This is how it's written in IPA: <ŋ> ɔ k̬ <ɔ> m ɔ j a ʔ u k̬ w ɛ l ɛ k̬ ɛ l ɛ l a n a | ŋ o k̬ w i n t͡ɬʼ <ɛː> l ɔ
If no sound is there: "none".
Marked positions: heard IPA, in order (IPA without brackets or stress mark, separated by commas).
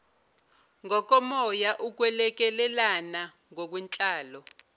ŋ, ɔ, aː